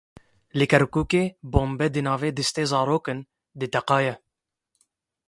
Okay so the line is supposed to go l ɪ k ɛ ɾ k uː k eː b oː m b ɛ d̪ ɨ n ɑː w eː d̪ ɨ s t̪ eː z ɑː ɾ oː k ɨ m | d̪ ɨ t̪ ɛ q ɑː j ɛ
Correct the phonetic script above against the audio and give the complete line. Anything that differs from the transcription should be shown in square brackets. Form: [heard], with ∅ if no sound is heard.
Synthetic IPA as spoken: l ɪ k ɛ ɾ k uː k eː b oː m b ɛ d̪ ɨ n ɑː [v] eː d̪ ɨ s t̪ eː z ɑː ɾ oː k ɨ [n] | d̪ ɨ t̪ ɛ q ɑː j ɛ